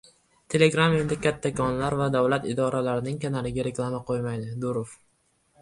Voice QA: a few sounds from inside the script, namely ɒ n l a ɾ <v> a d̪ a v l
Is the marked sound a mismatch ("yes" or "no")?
no